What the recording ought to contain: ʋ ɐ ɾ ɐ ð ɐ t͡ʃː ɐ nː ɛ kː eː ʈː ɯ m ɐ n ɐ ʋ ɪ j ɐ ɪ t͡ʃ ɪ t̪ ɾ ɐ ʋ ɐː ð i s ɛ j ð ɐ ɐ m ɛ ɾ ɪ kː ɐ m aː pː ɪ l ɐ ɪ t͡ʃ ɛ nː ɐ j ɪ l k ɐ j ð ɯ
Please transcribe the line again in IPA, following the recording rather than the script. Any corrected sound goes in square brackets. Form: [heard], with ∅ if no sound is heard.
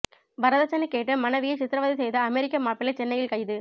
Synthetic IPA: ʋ ɐ ɾ ɐ ð ɐ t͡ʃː ɐ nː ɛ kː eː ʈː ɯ m ɐ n ɐ ʋ ɪ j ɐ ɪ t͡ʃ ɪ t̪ ɾ ɐ ʋ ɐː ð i s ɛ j ð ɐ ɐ m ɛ ɾ ɪ kː ɐ m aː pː ɪ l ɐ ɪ t͡ʃ ɛ nː ɐ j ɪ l k ɐ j ð ɯ

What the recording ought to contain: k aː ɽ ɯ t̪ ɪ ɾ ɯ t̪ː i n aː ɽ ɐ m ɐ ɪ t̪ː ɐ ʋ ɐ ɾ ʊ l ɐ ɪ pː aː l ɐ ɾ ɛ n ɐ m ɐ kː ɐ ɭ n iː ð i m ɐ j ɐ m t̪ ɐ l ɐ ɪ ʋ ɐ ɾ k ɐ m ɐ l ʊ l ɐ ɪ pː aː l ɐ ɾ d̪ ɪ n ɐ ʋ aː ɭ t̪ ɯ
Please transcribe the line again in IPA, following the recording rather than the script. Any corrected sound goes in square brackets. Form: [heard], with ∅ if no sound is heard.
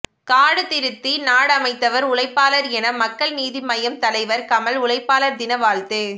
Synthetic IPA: k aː ɽ ɯ t̪ ɪ ɾ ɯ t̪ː i n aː ɽ ɐ m ɐ ɪ t̪ː ɐ ʋ ɐ ɾ ʊ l ɐ ɪ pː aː l ɐ ɾ ɛ n ɐ m ɐ kː ɐ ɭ n iː ð i m ɐ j ɐ m t̪ ɐ l ɐ ɪ ʋ ɐ ɾ k ɐ m ɐ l ʊ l ɐ ɪ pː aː l ɐ ɾ d̪ ɪ n ɐ ʋ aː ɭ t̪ ɯ

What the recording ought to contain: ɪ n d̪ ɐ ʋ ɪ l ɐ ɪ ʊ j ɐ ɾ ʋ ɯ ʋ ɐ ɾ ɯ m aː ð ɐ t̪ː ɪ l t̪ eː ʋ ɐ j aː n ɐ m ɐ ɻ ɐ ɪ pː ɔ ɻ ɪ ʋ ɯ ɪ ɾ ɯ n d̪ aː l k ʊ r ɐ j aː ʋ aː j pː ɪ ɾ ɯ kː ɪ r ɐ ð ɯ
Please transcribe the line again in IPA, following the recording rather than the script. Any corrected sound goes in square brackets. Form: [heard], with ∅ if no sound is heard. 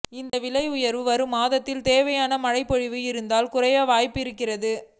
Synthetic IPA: ɪ n d̪ ɐ ʋ ɪ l ɐ ɪ ʊ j ɐ ɾ ʋ ɯ ʋ ɐ ɾ ɯ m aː ð ɐ t̪ː ɪ l t̪ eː ʋ ɐ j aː n ɐ m ɐ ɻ ɐ ɪ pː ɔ ɻ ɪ ʋ ɯ ɪ ɾ ɯ n d̪ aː l k ʊ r ɐ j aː ʋ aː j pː ɪ ɾ ɯ kː ɪ r ɐ ð ɯ

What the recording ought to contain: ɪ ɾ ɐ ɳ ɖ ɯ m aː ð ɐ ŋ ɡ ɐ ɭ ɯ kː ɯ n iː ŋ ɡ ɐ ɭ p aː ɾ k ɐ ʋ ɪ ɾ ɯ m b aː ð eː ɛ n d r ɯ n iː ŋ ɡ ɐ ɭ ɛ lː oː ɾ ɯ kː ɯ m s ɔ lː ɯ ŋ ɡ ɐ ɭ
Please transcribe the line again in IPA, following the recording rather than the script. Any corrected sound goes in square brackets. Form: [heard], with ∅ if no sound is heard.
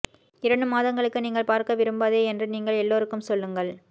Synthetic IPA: ɪ ɾ ɐ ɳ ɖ ɯ m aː ð ɐ ŋ ɡ ɐ ɭ ɯ kː ɯ n iː ŋ ɡ ɐ ɭ p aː ɾ k ɐ ʋ ɪ ɾ ɯ m b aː ð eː ɛ n d r ɯ n iː ŋ ɡ ɐ ɭ ɛ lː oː ɾ ɯ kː ɯ m s ɔ lː ɯ ŋ ɡ ɐ ɭ

